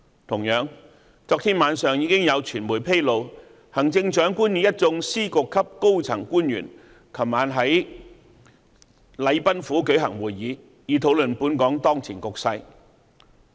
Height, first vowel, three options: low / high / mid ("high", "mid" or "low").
high